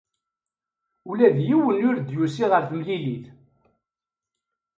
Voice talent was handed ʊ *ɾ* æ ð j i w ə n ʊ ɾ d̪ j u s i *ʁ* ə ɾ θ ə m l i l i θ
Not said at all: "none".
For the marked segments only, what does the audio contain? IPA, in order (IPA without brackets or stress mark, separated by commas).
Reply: l, ʁ